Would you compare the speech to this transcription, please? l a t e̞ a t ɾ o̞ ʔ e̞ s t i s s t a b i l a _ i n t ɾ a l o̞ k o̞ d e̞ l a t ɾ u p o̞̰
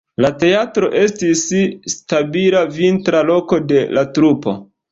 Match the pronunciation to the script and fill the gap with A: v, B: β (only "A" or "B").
A